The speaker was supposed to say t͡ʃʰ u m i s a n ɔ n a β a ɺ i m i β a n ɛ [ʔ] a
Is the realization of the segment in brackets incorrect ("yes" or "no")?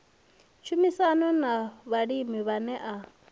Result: no